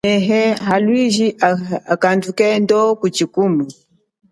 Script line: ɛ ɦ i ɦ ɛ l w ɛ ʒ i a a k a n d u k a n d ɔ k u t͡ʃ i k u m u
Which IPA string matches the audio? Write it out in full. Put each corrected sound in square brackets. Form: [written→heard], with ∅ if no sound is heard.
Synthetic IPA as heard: ɛ ɦ [i→ɛ] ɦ [ɛ→a] l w [ɛ→i] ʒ i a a k a n d u k [a→ɛ] n d ɔ k u t͡ʃ i k u m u